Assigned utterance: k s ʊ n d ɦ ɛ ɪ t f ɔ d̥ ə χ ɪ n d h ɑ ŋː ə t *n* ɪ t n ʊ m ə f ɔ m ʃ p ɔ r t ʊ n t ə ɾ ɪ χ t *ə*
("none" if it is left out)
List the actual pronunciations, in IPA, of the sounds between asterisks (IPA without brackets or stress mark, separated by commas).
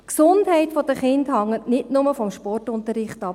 n, ɑ